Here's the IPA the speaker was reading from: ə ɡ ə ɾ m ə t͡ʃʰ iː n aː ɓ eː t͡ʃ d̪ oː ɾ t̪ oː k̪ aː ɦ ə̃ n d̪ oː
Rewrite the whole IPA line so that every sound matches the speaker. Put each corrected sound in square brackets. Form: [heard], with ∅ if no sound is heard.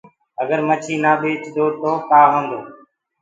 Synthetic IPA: ə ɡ ə ɾ m ə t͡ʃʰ iː n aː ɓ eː t͡ʃ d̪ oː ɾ t̪ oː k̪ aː ɦ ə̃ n d̪ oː